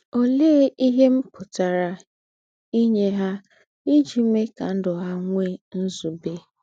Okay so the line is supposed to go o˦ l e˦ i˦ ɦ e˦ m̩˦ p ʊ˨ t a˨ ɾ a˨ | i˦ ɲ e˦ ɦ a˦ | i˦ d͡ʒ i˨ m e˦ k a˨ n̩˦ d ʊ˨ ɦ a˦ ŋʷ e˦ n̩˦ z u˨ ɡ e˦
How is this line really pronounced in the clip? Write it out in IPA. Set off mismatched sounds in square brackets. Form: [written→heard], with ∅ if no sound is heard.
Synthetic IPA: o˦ l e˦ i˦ ɦ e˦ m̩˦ p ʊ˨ t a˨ ɾ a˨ | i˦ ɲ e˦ ɦ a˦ | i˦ d͡ʒ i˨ m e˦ k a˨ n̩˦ d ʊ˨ ɦ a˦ ŋʷ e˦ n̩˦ z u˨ [ɡ→b] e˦